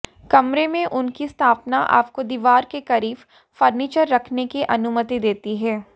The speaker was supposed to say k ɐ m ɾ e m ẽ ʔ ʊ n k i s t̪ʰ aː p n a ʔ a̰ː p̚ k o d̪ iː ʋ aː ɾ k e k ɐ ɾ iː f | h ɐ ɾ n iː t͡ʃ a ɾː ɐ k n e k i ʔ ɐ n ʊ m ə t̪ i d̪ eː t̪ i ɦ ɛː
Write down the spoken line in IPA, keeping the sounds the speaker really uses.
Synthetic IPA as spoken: k ɐ m ɾ e m ẽ ʔ ʊ n k i s t̪ʰ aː p n a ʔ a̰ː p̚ k o d̪ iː ʋ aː ɾ k e k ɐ ɾ iː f | f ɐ ɾ n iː t͡ʃ ə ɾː ɐ kʰ n e k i ʔ ɐ n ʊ m ə t̪ i d̪ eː t̪ i ɦ ɛː